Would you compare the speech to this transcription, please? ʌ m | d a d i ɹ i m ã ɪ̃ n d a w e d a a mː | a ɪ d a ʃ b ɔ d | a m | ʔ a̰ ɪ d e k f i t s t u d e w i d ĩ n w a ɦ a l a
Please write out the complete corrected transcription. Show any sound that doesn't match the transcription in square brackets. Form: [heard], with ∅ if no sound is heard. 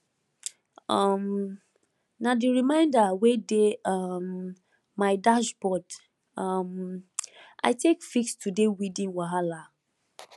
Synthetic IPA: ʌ m | [n] a d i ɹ i m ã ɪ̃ n d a w e d [e] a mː | a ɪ d a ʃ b ɔ d | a m | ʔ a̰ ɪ [t] e k f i [k] s t u d e w i d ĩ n w a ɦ a l a

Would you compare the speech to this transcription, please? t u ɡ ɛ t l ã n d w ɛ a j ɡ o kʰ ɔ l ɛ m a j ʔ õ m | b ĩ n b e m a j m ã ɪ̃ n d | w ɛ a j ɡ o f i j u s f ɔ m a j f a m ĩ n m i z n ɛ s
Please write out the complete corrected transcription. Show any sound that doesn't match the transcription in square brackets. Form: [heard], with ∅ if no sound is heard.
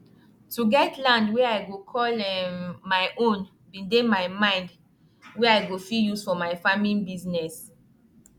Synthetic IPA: t u ɡ ɛ t l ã n d w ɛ a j ɡ o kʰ ɔ l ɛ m a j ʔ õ [n] | b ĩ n [d] e m a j m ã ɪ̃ n d | w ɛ a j ɡ o f i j u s f ɔ m a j f a m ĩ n [b] i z n ɛ s

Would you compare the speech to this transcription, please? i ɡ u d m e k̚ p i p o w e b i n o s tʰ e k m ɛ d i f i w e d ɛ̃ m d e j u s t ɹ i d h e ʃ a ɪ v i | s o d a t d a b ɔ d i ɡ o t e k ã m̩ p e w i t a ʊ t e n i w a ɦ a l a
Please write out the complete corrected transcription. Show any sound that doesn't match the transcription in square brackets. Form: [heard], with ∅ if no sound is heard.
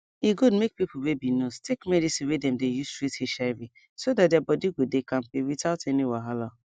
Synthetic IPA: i ɡ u d m e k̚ p i p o w e b i n o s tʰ e k m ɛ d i [s] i w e d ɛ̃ m d e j u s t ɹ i [t] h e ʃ a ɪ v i | s o d a t d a b ɔ d i ɡ o [d] e k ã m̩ p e w i t a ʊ t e n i w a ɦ a l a

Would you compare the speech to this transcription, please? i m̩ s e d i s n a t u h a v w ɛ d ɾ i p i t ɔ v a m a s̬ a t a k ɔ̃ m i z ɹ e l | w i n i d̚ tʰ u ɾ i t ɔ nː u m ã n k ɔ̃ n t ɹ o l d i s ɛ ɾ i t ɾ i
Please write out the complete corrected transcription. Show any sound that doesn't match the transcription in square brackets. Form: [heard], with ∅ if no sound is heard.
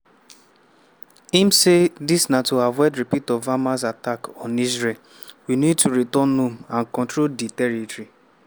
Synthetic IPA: i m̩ s e d i s n a t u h a v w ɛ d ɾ i p i t ɔ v a m a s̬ a t a k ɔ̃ [n] i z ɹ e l | w i n i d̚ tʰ u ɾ i t ɔ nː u m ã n k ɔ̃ n t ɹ o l d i [t] ɛ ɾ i t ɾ i

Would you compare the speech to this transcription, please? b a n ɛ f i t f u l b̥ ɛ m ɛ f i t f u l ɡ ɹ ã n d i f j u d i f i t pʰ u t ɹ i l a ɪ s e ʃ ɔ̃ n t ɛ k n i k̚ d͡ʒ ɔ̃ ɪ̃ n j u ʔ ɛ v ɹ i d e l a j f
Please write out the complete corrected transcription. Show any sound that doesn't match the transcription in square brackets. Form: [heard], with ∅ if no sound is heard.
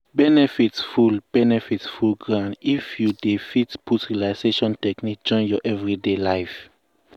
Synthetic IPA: b [ɛ] n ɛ f i t f u l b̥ ɛ [n] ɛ f i t f u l ɡ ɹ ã n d i f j u d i f i t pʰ u t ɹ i l a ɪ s e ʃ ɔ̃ n t ɛ k n i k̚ d͡ʒ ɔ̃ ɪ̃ n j [ɔ] ʔ ɛ v ɹ i d e l a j f

